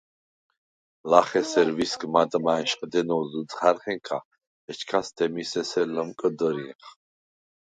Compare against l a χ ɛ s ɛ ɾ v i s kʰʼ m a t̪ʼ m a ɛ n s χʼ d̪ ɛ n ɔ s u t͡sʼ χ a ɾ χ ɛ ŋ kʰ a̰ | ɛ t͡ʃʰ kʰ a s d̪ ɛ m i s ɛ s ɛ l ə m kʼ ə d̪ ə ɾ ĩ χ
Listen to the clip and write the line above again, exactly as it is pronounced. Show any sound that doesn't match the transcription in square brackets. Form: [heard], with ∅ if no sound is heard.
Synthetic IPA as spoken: l a χ ɛ s ɛ ɾ v i s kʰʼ m a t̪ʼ m a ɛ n [ʃ] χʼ d̪ ɛ n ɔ [z] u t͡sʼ χ a ɾ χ ɛ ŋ kʰ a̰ | ɛ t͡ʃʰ kʰ a s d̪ ɛ m i s ɛ s ɛ l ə m kʼ ə d̪ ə ɾ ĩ χ